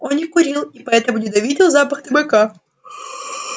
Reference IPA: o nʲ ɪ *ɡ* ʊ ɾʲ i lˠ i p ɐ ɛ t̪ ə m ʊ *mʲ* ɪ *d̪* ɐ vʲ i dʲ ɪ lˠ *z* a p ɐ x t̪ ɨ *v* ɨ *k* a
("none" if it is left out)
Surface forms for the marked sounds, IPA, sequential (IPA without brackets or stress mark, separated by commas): k, nʲ, d̪, z, b, k